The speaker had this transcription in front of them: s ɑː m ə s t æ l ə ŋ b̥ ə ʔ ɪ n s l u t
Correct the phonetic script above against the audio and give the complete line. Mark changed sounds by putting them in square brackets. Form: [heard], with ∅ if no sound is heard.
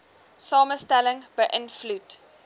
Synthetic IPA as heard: s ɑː m ə s t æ l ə ŋ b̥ ə ʔ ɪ n [f] l u t